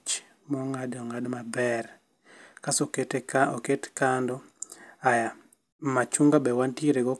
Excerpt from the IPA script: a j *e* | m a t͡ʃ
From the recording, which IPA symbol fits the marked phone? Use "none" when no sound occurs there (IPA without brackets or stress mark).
a